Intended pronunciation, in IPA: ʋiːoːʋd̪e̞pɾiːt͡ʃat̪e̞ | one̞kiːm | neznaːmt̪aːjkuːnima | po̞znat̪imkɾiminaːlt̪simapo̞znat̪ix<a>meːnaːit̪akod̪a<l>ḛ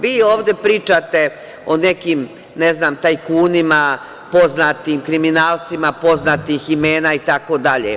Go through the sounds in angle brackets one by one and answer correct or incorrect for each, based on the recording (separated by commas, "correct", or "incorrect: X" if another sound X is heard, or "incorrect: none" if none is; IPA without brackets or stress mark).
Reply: incorrect: i, incorrect: ʎ